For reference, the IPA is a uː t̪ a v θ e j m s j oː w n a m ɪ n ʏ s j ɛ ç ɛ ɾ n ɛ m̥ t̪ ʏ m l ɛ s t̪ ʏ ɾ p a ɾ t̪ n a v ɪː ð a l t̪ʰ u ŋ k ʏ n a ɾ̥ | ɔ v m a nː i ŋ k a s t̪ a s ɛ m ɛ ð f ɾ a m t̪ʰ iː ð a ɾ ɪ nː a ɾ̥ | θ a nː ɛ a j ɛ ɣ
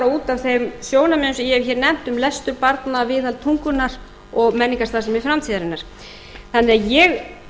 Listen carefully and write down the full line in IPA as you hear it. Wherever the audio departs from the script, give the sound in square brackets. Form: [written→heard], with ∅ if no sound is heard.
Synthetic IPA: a uː t̪ a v θ e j m s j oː w n a m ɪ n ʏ s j ɛ ç ɛ ɾ n ɛ m̥ t̪ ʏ m l ɛ s t̪ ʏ ɾ p a ɾ t̪ n a v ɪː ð a l t̪ʰ u ŋ k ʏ n a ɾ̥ | ɔ [v→ɣ] m [a→ɛ] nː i ŋ k a s t̪ a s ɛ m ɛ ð f ɾ a m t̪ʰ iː ð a ɾ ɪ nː a ɾ̥ | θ a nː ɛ a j ɛ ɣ

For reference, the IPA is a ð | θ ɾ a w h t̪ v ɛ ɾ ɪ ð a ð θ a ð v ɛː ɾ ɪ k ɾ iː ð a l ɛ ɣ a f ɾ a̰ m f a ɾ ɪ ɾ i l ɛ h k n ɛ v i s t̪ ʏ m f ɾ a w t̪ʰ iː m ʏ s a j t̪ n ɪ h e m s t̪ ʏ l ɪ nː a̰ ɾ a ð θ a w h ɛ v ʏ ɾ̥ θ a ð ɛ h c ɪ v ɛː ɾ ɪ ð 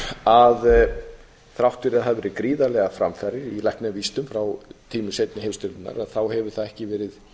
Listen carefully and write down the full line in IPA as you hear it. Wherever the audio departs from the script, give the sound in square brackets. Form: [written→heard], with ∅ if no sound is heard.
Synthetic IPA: a ð | θ ɾ a w h t̪ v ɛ ɾ ɪ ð a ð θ a ð v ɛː ɾ ɪ k ɾ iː ð a l ɛ ɣ a f ɾ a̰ m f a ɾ ɪ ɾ i l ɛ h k n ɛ v i s t̪ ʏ m f ɾ a w t̪ʰ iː m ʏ s [a→e] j t̪ n ɪ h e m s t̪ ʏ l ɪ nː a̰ ɾ a ð θ a w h ɛ v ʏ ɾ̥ θ a ð ɛ h c ɪ v ɛː ɾ ɪ ð

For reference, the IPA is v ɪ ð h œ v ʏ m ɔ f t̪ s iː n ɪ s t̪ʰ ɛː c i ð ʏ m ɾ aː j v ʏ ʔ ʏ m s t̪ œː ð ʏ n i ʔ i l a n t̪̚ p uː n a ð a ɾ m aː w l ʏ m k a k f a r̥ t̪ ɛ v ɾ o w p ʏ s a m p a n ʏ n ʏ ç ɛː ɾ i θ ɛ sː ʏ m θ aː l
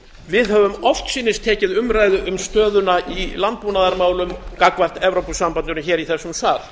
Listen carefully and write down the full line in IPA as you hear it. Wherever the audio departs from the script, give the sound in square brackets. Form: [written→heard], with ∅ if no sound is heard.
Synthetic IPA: v ɪ ð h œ v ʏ m ɔ f t̪ s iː n ɪ s t̪ʰ ɛː c [i→ɪ] ð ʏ m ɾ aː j [v→ð] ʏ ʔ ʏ m s t̪ œː ð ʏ n [i→a] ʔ i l a n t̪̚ p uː n a ð a ɾ m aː w l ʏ m k a k [f→v] a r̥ t̪ ɛ v ɾ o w p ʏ s a m p a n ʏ n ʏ ç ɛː ɾ i θ ɛ sː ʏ m θ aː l

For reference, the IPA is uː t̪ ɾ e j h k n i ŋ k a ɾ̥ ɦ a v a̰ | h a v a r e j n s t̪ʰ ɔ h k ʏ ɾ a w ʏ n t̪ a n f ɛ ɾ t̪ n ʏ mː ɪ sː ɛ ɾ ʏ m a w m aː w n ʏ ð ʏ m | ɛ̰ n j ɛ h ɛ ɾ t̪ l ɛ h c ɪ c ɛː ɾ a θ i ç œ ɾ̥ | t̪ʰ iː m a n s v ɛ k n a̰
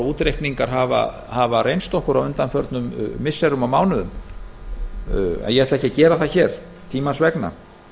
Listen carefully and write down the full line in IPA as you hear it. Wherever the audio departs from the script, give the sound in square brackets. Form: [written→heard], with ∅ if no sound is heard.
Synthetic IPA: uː t̪ ɾ e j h k n i ŋ k a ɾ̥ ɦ a v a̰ | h a v a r e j n s [t̪ʰ→t̪] ɔ h k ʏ ɾ a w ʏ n t̪ a n f [ɛ→œ] ɾ t̪ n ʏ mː ɪ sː ɛ ɾ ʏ m a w m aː w n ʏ ð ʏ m | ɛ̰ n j ɛ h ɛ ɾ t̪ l ɛ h c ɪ c ɛː ɾ a θ [i→a] ç [œ→ɛ] ɾ̥ | t̪ʰ iː m a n s v ɛ k n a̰

